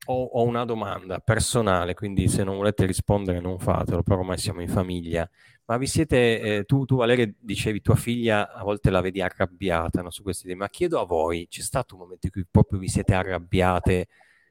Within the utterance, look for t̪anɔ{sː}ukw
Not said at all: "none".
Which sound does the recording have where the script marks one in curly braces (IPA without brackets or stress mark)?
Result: s